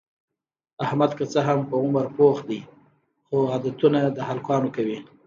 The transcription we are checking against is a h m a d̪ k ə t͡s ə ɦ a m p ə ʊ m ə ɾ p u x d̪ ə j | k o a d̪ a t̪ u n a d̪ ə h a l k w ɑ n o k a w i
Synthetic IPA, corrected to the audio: a h m a d̪ k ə t͡s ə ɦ a m p ə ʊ m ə ɾ p o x d̪ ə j | x o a d̪ a t̪ u n a d̪ ə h a l k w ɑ n o k a w i